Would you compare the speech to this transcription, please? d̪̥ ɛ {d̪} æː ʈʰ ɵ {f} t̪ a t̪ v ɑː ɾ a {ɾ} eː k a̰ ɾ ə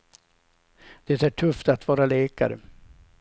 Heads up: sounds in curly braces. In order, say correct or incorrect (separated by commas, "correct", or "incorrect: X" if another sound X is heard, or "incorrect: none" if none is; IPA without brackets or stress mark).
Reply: incorrect: t̪, correct, incorrect: l